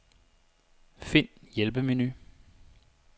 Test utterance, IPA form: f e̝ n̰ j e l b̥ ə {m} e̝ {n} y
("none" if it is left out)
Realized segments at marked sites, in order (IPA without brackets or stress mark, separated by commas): m, n